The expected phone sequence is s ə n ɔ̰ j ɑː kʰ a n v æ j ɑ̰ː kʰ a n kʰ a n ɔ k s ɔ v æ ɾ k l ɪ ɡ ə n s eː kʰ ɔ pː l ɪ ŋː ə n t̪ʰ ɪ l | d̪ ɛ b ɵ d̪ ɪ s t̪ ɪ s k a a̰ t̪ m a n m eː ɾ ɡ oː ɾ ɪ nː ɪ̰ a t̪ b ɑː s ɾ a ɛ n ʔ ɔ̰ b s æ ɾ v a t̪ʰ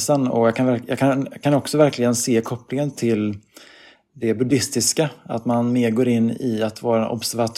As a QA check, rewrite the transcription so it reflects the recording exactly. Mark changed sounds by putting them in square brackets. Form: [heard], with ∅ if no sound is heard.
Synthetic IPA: s ə n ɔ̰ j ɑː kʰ a n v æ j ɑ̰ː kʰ a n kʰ a n ɔ k s ɔ v æ ɾ k l ɪ ɡ ə n s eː kʰ ɔ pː l ɪ [ŋ] ə n t̪ʰ ɪ l | d̪ ɛ b ɵ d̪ ɪ s t̪ ɪ s k a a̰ t̪ m a n m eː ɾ ɡ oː ɾ ɪ nː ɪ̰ a t̪ [v] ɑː [∅] ɾ a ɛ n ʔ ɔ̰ b s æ ɾ v a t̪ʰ